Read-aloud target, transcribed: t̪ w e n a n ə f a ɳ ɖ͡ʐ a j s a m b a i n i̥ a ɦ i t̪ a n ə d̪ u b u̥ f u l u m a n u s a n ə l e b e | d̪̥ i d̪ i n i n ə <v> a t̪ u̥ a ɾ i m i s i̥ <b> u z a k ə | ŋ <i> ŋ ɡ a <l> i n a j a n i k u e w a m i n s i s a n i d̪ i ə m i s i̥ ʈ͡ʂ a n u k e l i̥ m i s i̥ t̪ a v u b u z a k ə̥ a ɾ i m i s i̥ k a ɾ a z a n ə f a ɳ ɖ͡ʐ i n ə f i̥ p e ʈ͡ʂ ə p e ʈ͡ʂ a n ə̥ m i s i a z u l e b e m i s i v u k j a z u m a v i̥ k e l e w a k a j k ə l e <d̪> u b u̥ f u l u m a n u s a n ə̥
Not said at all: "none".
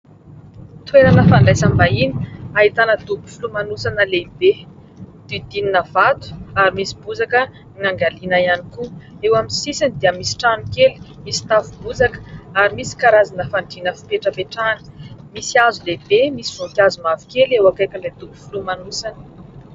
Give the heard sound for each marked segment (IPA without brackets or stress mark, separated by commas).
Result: v, b, a, l, d̪